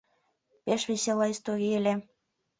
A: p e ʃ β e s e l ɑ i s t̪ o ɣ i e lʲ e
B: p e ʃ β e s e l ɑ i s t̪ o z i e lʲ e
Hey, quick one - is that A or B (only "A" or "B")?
A